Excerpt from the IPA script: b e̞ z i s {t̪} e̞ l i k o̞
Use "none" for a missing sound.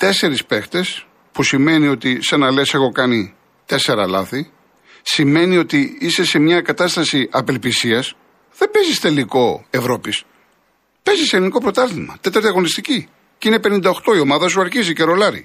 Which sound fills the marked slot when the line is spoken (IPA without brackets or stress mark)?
t̪